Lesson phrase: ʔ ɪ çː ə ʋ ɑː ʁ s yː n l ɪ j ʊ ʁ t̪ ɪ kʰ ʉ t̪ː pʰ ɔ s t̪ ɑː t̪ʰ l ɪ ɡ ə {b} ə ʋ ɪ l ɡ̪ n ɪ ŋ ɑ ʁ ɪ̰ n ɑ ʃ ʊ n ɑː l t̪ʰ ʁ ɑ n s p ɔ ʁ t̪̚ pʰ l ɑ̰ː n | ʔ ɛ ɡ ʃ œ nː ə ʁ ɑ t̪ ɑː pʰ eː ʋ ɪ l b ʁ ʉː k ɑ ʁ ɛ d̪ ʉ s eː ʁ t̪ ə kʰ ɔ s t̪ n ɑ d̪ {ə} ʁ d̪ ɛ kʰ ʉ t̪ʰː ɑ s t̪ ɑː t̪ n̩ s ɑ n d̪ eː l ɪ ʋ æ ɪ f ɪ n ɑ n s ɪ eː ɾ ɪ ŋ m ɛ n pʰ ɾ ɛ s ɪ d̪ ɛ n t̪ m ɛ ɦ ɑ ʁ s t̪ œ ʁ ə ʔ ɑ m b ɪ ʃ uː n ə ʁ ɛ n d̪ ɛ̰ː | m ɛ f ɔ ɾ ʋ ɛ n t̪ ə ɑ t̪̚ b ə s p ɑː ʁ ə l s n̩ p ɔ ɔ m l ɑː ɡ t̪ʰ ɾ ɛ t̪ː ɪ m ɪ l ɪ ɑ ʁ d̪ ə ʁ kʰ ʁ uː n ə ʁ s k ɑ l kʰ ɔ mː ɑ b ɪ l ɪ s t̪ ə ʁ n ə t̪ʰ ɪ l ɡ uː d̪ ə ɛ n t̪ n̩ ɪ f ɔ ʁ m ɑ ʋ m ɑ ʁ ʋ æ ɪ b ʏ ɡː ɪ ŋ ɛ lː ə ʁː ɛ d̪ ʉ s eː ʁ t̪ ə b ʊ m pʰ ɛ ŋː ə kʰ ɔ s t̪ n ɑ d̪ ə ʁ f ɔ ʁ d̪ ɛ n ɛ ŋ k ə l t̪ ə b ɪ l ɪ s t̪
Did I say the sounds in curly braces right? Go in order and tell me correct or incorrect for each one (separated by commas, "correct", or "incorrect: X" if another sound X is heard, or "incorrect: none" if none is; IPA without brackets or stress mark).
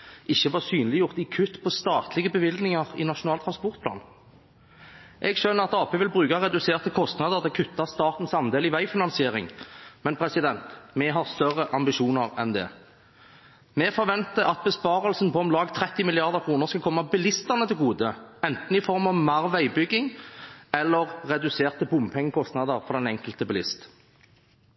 correct, correct